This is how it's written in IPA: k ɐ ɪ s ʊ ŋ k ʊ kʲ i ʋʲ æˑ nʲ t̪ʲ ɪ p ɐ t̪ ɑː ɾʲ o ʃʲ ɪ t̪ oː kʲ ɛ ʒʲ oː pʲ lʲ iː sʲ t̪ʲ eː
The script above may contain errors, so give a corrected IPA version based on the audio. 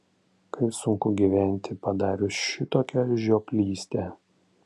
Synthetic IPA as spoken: k ɐ ɪ s ʊ ŋ k ʊ ɡʲ i ʋʲ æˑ nʲ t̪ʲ ɪ p ɐ d̪ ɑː ɾʲ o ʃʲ ɪ t̪ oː kʲ ɛ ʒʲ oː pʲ lʲ iː sʲ t̪ʲ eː

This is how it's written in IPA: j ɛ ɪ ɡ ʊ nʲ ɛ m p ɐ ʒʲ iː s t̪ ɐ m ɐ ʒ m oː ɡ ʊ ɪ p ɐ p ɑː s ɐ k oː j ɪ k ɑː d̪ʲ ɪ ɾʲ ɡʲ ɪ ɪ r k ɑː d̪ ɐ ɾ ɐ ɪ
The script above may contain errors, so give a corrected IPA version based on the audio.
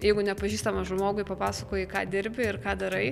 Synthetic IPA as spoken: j ɛ ɪ ɡ ʊ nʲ ɛ p ɐ ʒʲ iː s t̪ ɐ m ɐ ʒ m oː ɡ ʊ ɪ p ɐ p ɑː s ɐ k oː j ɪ k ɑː d̪ʲ ɪ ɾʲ bʲ ɪ ɪ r k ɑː d̪ ɐ ɾ ɐ ɪ

